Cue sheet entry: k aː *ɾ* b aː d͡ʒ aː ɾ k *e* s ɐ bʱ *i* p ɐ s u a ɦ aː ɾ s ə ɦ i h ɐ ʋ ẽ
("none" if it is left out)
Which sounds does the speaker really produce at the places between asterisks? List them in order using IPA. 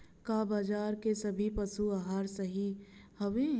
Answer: none, e, i

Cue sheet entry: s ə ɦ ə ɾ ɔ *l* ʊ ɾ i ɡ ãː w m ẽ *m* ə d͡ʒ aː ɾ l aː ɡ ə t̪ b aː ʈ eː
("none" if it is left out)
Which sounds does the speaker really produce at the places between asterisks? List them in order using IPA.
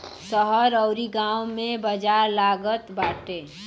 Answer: none, b

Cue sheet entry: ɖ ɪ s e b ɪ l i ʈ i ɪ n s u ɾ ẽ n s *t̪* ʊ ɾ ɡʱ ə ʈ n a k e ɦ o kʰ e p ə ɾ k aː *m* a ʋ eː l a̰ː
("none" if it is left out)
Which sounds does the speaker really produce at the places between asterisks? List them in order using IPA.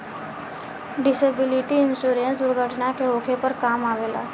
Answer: d̪, m

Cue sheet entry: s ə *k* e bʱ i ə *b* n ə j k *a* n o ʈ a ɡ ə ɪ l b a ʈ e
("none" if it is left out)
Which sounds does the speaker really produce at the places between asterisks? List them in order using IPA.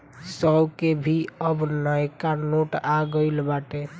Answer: k, b, a

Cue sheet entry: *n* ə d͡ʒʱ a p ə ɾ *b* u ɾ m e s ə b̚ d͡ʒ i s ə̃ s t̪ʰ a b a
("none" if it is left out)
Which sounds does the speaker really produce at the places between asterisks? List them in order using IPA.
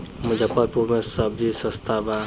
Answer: m, p

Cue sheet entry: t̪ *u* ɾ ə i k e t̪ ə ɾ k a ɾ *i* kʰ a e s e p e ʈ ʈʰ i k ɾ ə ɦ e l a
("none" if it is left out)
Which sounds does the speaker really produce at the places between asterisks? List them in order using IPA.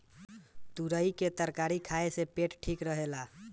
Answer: u, i

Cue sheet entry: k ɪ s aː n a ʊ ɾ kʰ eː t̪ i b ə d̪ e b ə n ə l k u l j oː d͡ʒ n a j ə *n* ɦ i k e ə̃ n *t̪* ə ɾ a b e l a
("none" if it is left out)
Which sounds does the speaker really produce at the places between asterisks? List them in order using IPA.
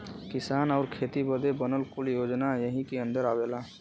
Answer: none, d̪

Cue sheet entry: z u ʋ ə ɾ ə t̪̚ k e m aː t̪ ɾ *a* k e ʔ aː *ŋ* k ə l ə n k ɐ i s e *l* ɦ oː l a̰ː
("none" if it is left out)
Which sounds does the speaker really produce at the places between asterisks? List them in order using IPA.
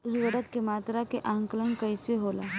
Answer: a, ŋ, none

